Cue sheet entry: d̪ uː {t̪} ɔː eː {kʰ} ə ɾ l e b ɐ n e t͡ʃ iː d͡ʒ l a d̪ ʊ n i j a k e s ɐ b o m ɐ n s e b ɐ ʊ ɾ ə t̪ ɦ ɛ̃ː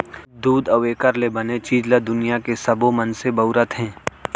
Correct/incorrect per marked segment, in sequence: incorrect: d̪, incorrect: k

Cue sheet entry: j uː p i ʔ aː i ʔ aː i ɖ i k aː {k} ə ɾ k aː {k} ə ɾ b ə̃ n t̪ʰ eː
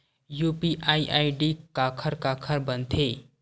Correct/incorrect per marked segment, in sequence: incorrect: kʰ, incorrect: kʰ

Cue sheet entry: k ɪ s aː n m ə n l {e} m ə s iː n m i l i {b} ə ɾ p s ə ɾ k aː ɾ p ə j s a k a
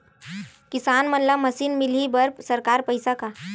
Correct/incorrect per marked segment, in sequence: incorrect: a, correct

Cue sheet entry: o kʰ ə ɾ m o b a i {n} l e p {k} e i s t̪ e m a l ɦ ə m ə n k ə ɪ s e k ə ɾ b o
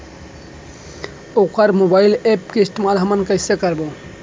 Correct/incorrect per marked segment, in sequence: incorrect: none, correct

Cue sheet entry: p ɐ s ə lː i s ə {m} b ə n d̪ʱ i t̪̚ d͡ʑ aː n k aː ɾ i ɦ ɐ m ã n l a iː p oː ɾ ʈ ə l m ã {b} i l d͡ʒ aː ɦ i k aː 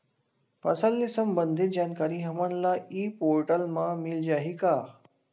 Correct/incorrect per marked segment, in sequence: correct, incorrect: m

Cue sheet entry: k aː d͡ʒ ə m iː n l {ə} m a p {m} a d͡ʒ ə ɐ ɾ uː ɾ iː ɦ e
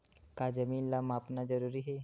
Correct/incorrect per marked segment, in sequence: incorrect: a, incorrect: n

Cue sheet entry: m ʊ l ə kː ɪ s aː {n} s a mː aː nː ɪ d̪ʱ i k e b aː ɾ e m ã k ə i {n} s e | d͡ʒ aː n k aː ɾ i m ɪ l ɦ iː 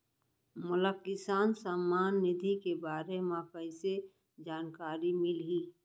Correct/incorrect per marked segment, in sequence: correct, incorrect: none

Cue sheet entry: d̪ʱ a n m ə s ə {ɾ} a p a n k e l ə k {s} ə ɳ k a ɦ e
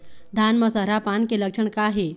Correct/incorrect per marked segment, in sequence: correct, incorrect: ʂ

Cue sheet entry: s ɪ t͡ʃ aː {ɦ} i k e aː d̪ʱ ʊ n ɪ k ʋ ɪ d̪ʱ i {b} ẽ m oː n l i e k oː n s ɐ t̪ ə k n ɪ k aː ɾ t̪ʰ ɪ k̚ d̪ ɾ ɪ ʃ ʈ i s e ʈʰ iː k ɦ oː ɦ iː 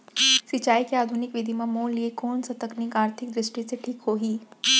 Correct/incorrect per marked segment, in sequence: incorrect: none, incorrect: m

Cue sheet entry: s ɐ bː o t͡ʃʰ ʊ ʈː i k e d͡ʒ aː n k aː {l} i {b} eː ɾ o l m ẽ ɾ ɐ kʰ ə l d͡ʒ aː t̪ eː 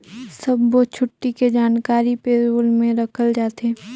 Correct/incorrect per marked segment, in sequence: incorrect: ɾ, incorrect: p

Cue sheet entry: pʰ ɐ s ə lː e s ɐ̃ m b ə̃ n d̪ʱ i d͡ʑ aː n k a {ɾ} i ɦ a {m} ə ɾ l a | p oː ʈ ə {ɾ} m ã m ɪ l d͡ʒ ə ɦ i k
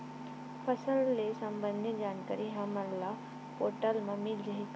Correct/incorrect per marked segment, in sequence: correct, correct, incorrect: l

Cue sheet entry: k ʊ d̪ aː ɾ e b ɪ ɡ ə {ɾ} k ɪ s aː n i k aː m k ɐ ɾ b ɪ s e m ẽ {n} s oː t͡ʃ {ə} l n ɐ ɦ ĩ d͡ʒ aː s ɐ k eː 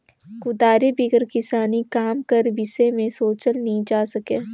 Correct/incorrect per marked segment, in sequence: correct, incorrect: none, correct

